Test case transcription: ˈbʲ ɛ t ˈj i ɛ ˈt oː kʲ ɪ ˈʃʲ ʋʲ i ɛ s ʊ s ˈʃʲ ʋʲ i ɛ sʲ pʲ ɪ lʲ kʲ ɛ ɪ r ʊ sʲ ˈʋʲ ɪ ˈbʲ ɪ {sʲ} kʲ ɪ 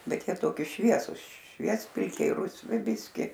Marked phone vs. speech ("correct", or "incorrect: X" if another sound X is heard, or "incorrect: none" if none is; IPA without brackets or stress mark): correct